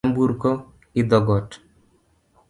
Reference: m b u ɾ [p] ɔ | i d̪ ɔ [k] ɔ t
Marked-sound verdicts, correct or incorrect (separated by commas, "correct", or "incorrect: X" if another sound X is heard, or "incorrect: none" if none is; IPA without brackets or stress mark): incorrect: k, incorrect: ɡ